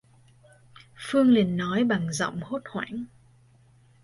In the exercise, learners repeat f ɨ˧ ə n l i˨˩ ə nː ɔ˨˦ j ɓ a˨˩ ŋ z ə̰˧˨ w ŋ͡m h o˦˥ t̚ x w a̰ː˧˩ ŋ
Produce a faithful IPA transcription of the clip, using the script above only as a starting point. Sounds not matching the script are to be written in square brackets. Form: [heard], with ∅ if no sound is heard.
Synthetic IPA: f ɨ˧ ə [ŋ] l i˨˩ ə nː ɔ˨˦ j ɓ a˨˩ ŋ z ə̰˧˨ w ŋ͡m h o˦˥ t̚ [h] w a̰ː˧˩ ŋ